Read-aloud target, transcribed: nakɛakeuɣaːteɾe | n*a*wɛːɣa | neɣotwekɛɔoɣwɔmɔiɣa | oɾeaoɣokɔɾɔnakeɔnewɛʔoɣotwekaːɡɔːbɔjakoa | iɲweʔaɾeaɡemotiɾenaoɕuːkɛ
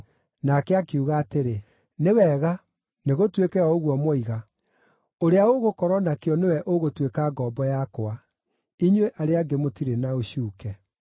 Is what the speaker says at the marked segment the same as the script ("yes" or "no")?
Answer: no